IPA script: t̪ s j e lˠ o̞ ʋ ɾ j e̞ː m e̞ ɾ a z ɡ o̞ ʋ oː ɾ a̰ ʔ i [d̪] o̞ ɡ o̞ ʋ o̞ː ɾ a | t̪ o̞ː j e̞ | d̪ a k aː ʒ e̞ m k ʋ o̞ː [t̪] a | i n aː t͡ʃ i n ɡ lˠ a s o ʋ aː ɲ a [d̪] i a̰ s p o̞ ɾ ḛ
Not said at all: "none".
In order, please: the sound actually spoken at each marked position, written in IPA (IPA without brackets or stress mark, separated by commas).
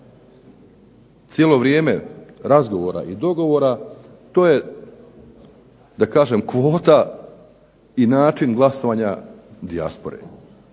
d̪, t̪, d̪